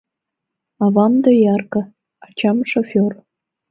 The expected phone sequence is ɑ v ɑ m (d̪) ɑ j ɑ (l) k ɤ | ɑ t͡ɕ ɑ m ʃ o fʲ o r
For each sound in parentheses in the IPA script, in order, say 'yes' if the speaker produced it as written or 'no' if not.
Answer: yes, no

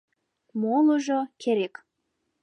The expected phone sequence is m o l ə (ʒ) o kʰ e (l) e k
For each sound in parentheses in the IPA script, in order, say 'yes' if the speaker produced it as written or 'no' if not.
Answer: yes, no

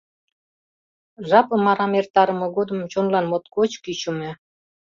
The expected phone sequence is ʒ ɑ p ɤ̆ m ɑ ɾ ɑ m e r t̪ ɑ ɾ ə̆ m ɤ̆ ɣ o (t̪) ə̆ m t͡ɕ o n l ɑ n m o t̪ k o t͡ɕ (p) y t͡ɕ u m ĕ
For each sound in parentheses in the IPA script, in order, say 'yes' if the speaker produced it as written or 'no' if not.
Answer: no, no

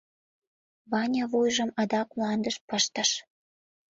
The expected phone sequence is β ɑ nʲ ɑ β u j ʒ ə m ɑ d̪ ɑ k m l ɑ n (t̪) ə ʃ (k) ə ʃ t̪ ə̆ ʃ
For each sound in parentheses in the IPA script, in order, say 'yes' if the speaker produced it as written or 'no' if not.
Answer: no, no

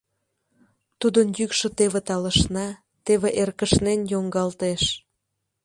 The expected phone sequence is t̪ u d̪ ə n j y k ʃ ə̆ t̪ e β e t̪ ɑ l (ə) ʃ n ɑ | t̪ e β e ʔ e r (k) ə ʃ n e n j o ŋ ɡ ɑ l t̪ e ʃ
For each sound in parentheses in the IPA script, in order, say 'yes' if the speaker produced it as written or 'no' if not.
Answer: yes, yes

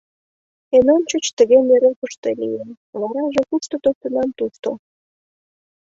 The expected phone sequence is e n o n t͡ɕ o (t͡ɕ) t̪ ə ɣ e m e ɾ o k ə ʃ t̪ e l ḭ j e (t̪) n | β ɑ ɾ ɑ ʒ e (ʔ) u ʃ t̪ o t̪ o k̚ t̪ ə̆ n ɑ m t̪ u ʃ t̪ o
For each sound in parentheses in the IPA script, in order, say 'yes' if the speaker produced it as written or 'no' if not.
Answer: yes, no, no

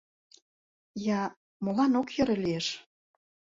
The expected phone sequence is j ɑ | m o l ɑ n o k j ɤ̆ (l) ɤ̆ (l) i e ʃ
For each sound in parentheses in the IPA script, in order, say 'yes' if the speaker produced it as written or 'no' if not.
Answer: no, yes

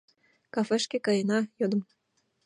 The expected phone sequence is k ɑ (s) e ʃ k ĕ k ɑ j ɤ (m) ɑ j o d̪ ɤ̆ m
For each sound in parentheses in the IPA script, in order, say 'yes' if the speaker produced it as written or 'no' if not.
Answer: no, no

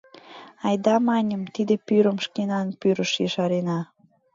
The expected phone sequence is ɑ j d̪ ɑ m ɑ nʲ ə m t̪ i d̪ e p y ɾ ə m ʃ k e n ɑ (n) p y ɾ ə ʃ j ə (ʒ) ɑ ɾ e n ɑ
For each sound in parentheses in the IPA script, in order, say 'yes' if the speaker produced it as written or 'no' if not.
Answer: yes, no

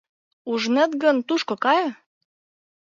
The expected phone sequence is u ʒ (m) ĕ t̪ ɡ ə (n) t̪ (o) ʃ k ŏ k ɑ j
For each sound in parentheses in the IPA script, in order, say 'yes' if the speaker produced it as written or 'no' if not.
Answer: no, yes, no

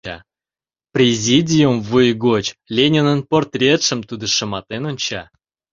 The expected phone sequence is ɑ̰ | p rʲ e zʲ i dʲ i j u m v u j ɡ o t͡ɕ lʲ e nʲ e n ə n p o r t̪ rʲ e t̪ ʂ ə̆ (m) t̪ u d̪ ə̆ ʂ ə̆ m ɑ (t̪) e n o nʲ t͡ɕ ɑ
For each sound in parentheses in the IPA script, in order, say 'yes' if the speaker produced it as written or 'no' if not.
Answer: yes, yes

